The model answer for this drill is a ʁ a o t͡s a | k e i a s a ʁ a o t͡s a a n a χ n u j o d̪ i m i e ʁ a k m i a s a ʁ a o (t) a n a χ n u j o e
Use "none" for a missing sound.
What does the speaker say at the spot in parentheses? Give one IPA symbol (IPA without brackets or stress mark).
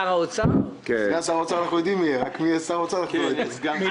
t͡s